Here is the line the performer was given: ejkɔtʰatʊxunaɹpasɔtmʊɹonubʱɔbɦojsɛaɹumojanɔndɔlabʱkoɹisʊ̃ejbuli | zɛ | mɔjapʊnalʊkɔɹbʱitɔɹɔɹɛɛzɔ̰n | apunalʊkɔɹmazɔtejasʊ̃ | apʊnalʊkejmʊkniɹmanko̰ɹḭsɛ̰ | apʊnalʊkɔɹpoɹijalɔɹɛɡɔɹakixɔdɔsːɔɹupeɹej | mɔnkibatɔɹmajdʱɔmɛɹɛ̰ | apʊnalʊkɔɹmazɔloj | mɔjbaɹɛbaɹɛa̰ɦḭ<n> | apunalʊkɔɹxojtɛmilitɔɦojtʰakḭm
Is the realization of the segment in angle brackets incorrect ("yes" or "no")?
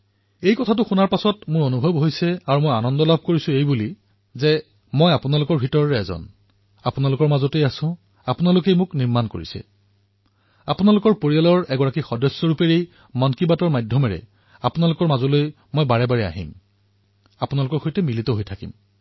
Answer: yes